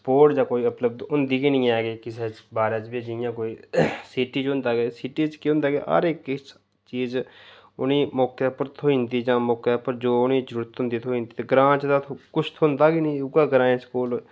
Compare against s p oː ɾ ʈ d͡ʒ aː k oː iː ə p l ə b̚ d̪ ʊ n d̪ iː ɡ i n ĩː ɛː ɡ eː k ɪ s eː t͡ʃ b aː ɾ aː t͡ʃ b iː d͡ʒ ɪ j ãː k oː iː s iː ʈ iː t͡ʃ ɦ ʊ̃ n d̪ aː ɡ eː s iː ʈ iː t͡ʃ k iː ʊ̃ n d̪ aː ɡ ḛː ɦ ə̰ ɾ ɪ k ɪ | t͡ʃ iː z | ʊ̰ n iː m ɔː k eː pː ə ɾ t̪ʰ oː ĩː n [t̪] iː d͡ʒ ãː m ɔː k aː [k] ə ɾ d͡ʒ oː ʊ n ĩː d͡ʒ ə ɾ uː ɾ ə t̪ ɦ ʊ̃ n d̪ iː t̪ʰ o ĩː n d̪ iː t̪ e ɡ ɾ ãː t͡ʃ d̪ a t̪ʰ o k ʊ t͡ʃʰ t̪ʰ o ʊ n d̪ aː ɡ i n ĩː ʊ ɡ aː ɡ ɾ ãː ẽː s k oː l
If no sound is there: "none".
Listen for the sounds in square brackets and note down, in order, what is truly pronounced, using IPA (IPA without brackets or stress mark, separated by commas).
d̪, p